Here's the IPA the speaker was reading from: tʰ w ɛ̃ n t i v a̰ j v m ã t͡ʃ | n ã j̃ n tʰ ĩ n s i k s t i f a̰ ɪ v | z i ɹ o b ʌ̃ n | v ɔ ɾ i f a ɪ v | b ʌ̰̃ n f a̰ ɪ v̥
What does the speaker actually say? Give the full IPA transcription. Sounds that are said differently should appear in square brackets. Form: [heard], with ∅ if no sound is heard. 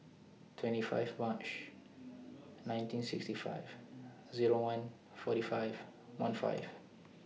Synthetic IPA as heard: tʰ w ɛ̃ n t i [f] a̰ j v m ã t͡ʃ | n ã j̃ n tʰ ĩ n s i k s t i f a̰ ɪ v | z i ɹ o [w] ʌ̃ n | [f] ɔ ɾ i f a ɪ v | [w] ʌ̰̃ n f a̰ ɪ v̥